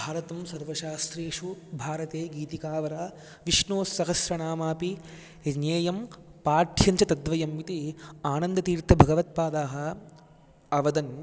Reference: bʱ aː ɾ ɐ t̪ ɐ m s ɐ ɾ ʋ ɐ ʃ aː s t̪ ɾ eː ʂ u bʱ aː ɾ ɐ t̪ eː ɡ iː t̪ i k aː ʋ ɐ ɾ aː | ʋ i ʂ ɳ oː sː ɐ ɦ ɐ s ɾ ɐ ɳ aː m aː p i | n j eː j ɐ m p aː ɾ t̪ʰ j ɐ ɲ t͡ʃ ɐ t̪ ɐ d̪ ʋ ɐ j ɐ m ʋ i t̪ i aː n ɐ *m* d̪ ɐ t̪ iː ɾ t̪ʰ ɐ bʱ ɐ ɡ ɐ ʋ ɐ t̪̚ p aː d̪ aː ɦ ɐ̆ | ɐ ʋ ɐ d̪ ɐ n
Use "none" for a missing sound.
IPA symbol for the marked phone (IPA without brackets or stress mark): n